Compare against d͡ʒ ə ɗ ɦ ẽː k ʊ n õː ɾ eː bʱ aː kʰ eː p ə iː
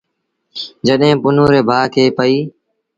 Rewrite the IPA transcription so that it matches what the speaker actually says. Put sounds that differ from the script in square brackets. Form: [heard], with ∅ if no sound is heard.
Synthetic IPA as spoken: d͡ʒ ə ɗ ɦ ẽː [p] ʊ n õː ɾ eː bʱ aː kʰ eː p ə iː